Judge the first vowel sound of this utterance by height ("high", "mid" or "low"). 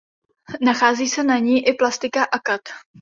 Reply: low